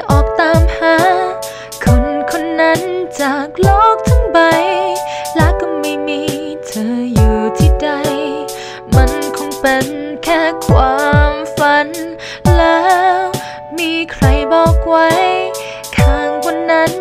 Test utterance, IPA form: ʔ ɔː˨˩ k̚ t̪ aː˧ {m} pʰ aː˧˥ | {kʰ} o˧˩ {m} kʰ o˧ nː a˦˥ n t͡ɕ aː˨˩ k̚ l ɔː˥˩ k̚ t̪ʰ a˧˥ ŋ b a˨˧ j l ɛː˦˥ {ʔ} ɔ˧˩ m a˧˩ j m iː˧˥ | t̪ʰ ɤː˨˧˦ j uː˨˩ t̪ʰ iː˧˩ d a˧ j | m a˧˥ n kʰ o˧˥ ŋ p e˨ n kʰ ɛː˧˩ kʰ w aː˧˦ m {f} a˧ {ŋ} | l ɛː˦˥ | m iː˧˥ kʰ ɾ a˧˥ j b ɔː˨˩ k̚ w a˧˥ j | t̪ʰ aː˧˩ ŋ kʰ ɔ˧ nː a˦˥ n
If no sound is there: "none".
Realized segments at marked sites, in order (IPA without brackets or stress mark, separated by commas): m, kʰ, n, k, f, n